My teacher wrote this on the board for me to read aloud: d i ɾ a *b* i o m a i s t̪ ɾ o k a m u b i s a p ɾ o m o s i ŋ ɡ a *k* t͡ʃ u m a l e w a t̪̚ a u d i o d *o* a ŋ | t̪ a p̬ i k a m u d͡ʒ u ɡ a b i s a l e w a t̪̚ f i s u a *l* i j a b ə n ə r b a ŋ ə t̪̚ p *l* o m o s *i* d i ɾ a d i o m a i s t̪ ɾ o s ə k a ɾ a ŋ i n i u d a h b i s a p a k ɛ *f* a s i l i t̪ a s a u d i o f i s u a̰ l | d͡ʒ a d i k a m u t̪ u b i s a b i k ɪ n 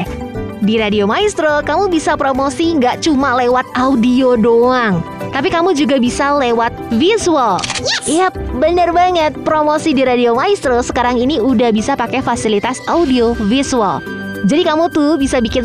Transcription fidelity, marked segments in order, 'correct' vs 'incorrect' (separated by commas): incorrect, incorrect, correct, correct, incorrect, correct, correct